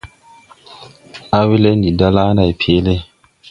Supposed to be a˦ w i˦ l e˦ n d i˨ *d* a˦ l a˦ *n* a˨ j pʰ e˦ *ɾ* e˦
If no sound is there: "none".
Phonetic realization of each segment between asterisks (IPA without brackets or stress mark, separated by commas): d, n, l